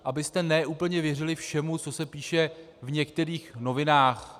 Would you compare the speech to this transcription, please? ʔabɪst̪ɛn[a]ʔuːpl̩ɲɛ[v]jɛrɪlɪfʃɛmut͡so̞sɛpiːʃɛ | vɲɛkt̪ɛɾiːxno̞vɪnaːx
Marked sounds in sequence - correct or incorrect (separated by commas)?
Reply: incorrect, correct